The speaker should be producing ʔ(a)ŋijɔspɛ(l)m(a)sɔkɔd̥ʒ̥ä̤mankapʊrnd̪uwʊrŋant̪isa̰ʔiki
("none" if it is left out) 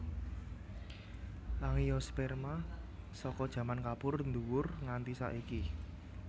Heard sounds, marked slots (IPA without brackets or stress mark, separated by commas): a, r, a